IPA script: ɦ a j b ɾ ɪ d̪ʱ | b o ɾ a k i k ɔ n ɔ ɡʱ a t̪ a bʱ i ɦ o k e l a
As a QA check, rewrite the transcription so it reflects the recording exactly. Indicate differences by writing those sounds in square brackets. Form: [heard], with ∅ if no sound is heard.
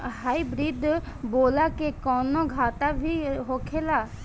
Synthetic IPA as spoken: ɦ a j b ɾ [i] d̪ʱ | b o [l] a k [e] k ɔ n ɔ ɡʱ a t̪ a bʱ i ɦ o [kʰ] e l a